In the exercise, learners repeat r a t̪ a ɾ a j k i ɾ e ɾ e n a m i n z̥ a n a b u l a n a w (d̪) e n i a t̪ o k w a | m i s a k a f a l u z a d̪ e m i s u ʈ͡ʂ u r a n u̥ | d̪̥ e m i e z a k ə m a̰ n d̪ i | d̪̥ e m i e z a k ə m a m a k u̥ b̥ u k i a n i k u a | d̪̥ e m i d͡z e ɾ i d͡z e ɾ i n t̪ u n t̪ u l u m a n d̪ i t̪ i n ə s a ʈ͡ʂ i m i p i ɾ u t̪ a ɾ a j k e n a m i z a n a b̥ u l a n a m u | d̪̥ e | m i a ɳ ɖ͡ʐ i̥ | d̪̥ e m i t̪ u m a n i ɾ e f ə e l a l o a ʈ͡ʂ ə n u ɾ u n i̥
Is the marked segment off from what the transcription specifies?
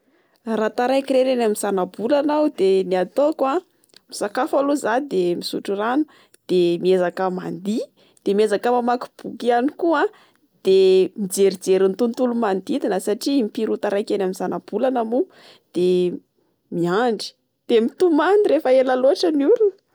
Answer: no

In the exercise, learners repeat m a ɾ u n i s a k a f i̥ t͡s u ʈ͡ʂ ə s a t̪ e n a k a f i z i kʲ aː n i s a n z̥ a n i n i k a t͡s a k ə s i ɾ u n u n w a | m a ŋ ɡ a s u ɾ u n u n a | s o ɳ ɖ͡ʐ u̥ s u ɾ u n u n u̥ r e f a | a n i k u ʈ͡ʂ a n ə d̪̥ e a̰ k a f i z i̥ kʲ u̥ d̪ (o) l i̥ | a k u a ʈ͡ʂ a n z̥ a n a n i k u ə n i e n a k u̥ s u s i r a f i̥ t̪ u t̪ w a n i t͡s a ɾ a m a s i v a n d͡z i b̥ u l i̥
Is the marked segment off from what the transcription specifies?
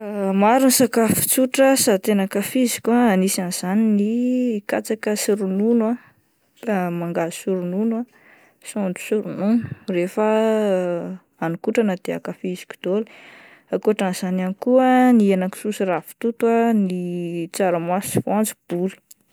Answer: no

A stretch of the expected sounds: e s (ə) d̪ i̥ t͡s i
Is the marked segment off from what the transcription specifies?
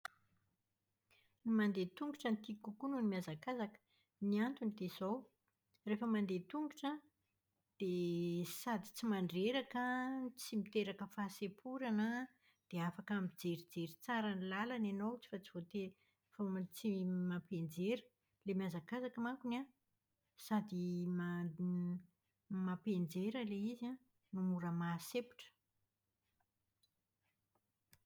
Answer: yes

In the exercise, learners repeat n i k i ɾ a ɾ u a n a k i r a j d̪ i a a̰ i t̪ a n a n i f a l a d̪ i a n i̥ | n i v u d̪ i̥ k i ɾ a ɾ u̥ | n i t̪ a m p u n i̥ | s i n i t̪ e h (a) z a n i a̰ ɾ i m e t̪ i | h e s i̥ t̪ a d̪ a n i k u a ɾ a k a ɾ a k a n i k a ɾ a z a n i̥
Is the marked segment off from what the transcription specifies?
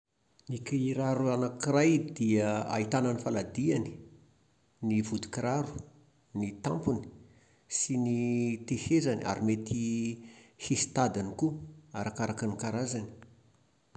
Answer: yes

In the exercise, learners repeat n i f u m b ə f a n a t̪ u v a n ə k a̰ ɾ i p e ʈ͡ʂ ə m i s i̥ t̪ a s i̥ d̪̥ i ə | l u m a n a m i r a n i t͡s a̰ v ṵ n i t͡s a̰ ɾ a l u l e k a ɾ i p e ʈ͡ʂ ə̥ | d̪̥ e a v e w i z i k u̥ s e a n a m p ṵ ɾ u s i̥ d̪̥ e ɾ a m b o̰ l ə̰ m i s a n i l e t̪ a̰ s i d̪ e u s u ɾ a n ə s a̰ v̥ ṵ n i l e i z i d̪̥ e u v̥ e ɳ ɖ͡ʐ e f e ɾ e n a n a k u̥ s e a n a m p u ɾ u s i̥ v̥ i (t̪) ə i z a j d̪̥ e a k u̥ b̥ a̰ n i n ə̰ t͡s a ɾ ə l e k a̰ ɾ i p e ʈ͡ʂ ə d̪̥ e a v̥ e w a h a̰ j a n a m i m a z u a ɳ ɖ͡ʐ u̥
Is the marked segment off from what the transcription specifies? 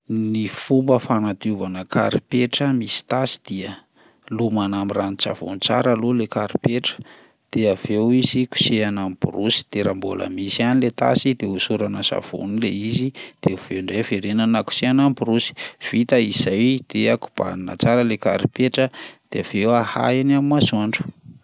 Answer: no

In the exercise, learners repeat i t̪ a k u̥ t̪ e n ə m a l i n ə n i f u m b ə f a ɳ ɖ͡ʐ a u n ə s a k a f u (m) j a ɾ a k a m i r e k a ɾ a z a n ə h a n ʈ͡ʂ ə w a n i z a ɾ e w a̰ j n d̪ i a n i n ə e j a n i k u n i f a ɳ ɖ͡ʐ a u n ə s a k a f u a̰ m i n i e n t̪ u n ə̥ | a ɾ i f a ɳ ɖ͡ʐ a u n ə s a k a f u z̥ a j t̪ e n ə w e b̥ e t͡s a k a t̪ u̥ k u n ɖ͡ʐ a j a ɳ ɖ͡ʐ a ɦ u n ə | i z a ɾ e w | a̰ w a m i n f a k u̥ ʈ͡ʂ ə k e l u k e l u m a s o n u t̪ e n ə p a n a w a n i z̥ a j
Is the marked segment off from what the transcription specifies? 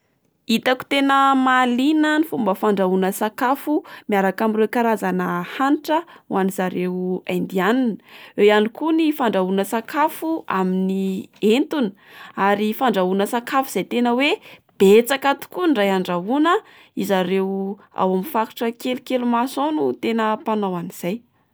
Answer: no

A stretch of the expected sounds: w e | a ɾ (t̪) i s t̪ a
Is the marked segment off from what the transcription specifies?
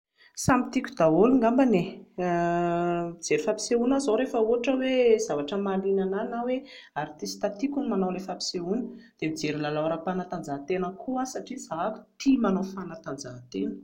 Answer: no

